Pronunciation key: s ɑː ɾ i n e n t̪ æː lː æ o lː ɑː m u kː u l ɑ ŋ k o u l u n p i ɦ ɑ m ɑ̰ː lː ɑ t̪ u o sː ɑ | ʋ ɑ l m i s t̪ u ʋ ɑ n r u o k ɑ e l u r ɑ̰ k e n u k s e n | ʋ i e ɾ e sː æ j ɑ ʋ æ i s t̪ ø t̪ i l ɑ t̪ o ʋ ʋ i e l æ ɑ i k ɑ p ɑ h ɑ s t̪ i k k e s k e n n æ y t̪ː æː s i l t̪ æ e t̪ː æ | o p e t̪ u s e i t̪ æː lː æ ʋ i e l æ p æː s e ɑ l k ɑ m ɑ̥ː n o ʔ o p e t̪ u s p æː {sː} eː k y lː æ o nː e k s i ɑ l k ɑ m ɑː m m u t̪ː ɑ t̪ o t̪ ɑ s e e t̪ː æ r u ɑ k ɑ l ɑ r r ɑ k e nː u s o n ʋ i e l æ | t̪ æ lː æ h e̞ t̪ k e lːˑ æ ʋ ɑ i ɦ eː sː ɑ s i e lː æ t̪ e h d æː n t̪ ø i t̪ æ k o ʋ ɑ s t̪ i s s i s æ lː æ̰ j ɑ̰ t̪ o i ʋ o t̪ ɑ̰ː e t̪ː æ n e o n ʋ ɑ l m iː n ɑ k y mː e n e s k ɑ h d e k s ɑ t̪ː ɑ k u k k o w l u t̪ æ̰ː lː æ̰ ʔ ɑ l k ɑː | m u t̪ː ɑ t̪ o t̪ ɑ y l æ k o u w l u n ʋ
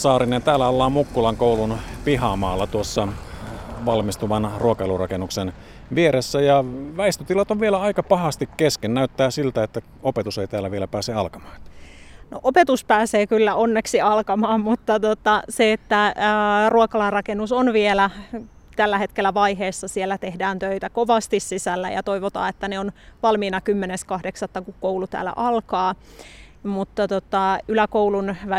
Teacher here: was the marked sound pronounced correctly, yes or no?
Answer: no